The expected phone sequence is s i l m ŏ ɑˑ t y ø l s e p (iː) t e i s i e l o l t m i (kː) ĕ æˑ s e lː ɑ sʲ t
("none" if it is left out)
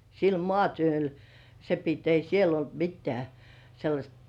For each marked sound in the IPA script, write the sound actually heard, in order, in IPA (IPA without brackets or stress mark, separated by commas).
i, tː